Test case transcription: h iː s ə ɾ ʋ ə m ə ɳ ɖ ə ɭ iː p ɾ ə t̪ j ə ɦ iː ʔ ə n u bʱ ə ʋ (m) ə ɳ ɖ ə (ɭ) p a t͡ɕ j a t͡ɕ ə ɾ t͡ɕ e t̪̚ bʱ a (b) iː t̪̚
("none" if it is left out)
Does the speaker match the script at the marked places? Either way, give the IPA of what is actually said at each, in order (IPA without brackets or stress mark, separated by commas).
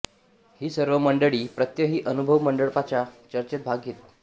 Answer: m, ɭ, ɡ